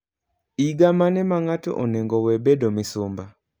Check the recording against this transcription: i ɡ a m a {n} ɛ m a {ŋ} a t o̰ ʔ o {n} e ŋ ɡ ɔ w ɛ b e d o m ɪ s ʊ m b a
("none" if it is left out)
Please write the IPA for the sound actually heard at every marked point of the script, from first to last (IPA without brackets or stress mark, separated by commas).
n, ŋ, n